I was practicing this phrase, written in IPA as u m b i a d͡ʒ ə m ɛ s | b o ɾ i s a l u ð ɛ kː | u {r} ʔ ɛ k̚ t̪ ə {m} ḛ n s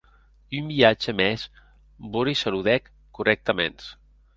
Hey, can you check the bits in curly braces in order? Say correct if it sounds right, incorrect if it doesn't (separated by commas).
correct, correct